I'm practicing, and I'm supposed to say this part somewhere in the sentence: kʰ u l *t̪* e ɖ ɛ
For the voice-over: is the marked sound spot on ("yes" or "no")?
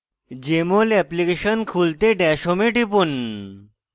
yes